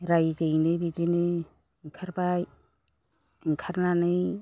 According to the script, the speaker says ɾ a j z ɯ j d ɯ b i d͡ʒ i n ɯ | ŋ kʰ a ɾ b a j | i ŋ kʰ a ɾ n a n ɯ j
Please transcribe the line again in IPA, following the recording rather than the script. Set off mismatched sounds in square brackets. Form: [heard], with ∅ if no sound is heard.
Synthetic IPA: ɾ a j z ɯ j [n] ɯ b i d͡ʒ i n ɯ | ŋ kʰ a ɾ b a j | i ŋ kʰ a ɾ n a n ɯ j